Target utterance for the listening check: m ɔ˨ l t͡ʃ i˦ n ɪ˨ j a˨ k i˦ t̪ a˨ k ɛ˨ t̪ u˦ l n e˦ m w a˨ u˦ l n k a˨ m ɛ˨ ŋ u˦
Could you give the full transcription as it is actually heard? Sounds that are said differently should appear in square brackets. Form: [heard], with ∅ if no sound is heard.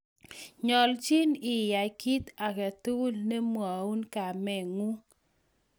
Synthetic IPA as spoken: [ɲ] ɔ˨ l t͡ʃ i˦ n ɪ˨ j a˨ k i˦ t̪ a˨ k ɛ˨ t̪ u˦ l n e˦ m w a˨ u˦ [∅] n k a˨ m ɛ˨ ŋ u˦